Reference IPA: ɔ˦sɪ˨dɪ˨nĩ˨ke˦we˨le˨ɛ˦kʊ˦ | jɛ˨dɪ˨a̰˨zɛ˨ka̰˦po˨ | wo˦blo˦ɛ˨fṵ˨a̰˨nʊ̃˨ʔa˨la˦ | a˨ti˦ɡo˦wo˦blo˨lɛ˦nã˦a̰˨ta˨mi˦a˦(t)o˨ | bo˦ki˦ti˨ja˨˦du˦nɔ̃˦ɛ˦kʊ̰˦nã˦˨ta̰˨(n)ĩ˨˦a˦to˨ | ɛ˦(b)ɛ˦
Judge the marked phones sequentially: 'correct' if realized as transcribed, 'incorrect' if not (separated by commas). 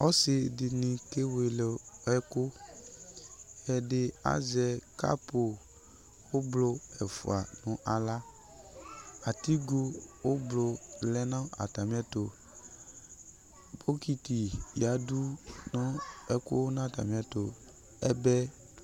correct, incorrect, correct